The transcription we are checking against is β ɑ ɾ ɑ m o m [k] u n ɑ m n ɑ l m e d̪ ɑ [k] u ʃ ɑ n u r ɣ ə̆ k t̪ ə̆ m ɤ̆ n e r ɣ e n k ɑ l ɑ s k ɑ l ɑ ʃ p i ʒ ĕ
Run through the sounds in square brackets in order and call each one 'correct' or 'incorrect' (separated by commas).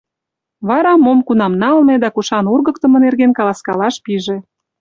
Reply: correct, correct